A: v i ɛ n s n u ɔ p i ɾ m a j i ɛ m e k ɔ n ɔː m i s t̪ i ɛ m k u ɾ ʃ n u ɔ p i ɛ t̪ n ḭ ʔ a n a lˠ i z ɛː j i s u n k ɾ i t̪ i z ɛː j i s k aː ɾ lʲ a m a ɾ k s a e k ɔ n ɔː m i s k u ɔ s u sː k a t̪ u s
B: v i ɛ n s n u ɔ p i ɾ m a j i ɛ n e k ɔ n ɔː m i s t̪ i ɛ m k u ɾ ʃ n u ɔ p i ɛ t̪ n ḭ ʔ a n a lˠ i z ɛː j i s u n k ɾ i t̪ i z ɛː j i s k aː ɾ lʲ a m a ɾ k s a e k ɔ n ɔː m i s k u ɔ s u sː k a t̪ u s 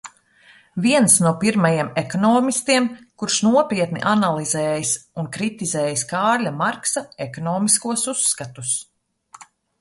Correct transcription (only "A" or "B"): A